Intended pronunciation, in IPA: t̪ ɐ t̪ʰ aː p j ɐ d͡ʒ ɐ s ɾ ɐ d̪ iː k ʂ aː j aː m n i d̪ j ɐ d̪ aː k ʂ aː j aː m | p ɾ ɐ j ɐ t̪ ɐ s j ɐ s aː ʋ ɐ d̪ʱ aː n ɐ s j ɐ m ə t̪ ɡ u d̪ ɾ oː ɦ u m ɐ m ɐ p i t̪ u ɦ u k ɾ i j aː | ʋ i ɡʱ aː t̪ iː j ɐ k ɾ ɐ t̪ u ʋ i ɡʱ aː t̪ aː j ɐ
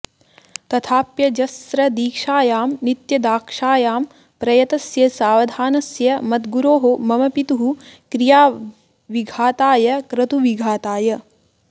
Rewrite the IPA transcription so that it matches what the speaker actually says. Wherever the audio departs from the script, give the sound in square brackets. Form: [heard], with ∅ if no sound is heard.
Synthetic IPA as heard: t̪ ɐ t̪ʰ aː p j ɐ d͡ʒ ɐ s ɾ ɐ d̪ iː k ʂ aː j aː m n i [t̪] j ɐ d̪ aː k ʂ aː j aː m | p ɾ ɐ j ɐ t̪ ɐ s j ɐ s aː ʋ ɐ d̪ʱ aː n ɐ s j ɐ m [ɐ] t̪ ɡ u [∅] ɾ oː ɦ [o] m ɐ m ɐ p i t̪ u ɦ u k ɾ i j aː | ʋ i ɡʱ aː t̪ [aː] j ɐ k ɾ ɐ t̪ u ʋ i ɡʱ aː t̪ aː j ɐ